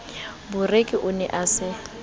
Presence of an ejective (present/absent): present